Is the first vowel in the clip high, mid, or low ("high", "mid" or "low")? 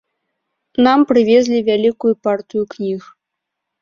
low